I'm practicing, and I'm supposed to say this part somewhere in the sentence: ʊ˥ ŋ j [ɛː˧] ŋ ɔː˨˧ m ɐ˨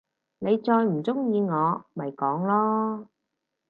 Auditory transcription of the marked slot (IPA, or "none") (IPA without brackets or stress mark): iː˧